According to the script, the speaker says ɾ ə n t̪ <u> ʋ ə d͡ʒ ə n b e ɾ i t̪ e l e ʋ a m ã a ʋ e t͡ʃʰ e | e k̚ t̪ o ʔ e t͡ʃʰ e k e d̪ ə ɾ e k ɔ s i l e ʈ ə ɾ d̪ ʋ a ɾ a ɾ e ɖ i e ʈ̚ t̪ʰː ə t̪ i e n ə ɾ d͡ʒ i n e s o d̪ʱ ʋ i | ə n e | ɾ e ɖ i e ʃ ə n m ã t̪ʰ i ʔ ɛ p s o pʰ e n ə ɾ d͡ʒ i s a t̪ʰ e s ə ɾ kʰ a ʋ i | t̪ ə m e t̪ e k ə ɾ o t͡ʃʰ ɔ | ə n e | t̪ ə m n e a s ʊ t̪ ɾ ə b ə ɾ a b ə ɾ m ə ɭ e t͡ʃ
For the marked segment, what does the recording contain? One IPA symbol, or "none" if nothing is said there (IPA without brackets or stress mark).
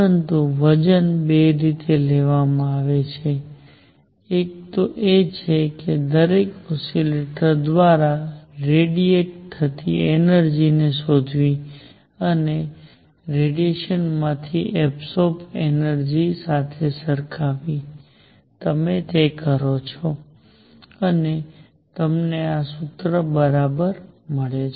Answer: u